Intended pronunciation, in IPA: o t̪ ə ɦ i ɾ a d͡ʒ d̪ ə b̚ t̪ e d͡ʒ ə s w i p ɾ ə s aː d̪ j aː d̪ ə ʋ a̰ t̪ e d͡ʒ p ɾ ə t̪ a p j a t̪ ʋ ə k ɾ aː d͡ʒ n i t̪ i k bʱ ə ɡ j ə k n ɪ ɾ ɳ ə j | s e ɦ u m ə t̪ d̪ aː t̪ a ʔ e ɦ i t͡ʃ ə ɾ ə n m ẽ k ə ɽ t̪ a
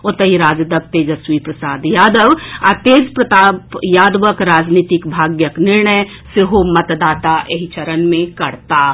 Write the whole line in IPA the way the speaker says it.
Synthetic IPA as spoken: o t̪ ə ɦ i ɾ a d͡ʒ d̪ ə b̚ t̪ e d͡ʒ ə s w i p ɾ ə s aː d̪ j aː d̪ ə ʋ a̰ t̪ e d͡ʒ p ɾ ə t̪ a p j a d̪ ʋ ə k ɾ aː d͡ʒ n i t̪ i k bʱ a ɡ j ə k n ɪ ɾ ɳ ə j | s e ɦ o m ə t̪ d̪ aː t̪ a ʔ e ɦ i t͡ʃ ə ɾ ə n m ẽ k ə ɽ t̪ a